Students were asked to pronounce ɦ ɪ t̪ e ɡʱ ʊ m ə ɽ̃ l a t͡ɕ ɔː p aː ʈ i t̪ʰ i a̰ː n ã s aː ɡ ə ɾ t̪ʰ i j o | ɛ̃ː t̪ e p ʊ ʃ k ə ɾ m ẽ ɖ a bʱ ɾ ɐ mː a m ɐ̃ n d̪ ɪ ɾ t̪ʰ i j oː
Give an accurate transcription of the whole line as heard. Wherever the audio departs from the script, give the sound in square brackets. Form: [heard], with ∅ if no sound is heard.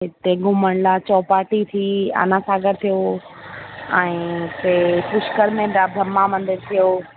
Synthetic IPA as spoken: ɦ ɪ t̪ e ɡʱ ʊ m ə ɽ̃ l a t͡ɕ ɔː p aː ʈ i t̪ʰ i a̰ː n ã s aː ɡ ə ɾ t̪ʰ i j o | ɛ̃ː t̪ e p ʊ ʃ k ə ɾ m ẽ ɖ a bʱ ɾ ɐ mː a m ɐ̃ n d̪ ɪ ɾ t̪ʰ i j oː